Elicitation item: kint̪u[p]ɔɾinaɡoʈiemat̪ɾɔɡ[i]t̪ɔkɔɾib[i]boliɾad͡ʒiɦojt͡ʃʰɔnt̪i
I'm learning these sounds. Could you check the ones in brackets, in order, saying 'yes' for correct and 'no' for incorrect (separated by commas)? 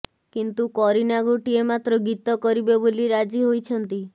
no, yes, no